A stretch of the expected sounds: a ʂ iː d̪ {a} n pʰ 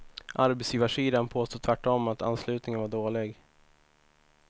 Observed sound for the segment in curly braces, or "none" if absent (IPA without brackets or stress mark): a